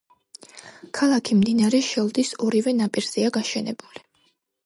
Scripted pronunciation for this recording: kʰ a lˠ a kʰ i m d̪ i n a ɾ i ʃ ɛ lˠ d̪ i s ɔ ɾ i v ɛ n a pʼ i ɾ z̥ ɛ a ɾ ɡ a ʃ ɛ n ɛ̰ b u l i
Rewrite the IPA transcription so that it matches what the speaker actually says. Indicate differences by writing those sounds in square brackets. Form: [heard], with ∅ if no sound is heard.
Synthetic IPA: kʰ a lˠ a kʰ i m d̪ i n a ɾ [ɛ] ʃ ɛ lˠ d̪ i s ɔ ɾ i v ɛ n a pʼ i ɾ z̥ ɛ a [∅] ɡ a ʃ ɛ n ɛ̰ b u l i